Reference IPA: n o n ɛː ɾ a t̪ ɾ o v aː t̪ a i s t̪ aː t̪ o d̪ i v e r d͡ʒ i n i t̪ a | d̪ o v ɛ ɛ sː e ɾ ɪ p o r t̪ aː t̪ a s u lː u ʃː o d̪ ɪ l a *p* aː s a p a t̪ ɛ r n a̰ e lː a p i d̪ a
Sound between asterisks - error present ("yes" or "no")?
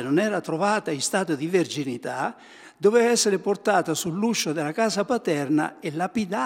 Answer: yes